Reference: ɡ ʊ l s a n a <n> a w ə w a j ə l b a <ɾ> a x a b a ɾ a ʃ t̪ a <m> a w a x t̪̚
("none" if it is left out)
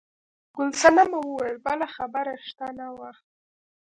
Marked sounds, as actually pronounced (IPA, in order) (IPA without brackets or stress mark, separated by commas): m, l, n